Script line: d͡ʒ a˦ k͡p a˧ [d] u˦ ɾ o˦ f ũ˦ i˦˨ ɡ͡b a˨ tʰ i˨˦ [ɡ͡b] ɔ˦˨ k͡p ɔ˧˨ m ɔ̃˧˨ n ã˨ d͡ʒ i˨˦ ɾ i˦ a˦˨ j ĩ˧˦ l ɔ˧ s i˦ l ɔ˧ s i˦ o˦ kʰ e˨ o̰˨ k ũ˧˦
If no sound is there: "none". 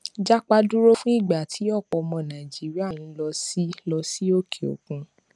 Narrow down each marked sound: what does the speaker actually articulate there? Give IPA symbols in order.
d, none

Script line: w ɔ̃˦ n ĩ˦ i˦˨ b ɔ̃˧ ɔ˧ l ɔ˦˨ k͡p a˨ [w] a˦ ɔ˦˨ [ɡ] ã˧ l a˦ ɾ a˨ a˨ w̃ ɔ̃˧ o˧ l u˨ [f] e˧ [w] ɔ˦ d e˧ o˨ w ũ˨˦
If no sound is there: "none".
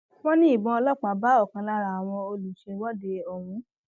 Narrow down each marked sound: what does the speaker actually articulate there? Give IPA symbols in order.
b, k, ʃ, w

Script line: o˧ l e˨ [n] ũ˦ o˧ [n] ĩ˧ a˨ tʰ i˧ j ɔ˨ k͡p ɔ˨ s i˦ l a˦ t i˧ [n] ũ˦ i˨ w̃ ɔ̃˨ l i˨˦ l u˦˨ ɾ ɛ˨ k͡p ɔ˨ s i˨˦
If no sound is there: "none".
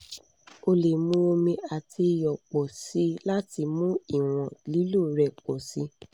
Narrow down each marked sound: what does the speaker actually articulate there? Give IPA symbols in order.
m, m, m

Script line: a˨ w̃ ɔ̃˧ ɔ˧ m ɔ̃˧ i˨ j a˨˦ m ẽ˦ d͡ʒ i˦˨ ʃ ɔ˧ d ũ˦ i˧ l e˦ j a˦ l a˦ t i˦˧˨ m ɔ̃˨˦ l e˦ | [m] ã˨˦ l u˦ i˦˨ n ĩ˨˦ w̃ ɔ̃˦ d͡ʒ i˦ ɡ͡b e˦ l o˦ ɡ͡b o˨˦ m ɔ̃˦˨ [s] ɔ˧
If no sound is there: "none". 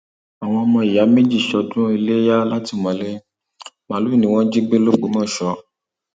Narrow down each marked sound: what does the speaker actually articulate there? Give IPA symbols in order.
m, ʃ

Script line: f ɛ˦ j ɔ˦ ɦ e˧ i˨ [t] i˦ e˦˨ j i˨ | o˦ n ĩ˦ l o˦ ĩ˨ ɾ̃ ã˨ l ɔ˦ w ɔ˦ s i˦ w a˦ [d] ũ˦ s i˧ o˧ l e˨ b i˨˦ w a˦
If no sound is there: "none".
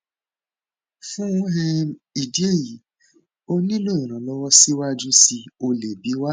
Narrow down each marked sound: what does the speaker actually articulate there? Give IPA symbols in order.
d, d͡ʒ

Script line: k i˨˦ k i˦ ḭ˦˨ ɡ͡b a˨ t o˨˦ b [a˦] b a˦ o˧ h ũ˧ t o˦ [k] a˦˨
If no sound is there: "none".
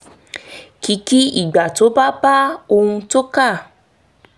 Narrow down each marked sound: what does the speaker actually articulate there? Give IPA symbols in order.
a˦, k

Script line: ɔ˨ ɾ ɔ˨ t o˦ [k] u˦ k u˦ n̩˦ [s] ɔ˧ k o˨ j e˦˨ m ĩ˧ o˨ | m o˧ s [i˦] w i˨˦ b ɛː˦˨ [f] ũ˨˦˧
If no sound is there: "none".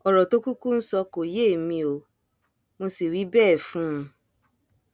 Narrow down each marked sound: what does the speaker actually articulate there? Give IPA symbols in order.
k, s, i˨, f

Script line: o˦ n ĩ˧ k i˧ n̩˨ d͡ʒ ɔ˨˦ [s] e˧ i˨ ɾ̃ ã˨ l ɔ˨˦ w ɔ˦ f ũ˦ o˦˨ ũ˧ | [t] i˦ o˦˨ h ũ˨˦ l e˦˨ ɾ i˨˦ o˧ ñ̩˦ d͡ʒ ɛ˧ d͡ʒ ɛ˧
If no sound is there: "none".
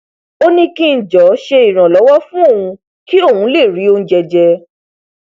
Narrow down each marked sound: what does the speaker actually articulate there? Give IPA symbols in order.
ʃ, k

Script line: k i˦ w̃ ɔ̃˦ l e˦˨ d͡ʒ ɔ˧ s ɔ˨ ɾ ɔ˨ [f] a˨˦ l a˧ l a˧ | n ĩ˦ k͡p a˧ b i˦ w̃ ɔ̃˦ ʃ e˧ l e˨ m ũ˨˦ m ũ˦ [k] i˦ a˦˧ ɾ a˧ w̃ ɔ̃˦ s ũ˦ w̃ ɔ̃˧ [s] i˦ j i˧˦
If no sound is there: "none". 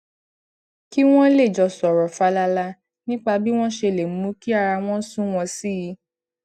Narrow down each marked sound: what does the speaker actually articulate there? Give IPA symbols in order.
f, k, s

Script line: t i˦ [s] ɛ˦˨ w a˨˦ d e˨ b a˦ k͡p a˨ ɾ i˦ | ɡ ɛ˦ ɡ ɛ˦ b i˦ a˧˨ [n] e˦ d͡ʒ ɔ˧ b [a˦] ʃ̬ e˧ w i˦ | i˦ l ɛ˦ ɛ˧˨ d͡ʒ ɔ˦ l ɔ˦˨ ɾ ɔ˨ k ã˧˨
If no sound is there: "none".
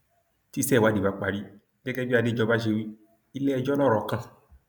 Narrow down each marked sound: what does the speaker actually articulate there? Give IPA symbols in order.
s, d, a˦

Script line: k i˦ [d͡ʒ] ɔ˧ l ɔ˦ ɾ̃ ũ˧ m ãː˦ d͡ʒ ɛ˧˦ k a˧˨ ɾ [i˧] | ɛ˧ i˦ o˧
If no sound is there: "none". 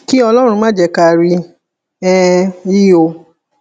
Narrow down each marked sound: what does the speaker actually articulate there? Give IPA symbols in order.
none, i˧

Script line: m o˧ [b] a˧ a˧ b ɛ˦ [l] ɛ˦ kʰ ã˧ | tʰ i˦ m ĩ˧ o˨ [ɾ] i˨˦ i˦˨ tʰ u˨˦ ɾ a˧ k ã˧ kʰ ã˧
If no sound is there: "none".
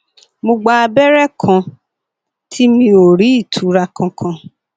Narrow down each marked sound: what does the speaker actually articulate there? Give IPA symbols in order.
ɡ͡b, ɾ, ɾ

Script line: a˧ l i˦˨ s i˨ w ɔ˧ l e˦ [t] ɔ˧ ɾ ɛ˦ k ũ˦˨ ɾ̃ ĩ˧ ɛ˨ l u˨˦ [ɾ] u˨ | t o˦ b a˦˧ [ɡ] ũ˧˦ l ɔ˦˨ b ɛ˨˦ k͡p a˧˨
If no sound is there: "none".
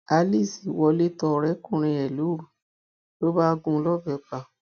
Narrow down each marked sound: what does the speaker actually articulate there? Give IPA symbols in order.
t, ɾ, ɡ

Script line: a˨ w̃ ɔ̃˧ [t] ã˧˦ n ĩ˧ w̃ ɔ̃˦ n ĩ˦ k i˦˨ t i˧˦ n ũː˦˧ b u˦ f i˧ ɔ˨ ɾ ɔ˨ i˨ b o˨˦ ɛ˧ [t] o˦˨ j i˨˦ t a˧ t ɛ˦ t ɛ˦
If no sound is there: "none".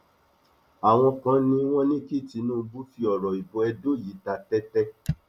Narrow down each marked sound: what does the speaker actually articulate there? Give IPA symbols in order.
k, d

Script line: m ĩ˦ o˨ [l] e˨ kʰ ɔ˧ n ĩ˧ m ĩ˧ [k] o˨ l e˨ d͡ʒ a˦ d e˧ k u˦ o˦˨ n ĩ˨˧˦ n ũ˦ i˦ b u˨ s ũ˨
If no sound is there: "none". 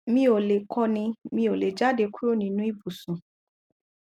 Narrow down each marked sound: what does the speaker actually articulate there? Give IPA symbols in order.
l, none

